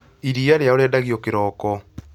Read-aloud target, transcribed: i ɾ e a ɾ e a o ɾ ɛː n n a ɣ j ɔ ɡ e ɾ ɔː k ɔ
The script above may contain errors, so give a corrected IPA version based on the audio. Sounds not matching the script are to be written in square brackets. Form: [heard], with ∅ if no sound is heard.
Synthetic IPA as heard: i ɾ [i] a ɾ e a o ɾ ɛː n [d] a ɣ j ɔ [k] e ɾ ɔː k ɔ